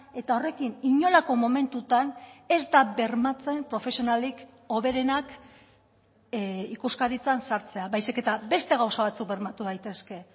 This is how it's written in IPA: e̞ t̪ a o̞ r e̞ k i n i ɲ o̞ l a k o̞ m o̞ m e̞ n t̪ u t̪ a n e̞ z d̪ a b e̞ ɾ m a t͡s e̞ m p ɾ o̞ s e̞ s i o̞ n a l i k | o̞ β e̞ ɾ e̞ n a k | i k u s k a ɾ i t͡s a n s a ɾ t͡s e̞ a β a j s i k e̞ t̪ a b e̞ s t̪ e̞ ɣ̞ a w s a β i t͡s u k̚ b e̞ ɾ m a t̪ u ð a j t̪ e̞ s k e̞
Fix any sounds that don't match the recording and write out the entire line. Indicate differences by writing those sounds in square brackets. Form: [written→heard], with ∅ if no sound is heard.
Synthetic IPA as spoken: e̞ t̪ a o̞ r e̞ k i n i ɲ o̞ l a k o̞ m o̞ m e̞ n t̪ u t̪ a n e̞ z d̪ a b e̞ ɾ m a t͡s e̞ m p ɾ o̞ [s→f] e̞ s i o̞ n a l i k | o̞ β e̞ ɾ e̞ n a k | i k u s k a ɾ i t͡s a n s a ɾ t͡s e̞ a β a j s i k e̞ t̪ a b e̞ s t̪ e̞ ɣ̞ a w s a β [i→a] t͡s u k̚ b e̞ ɾ m a t̪ u ð a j t̪ e̞ s k e̞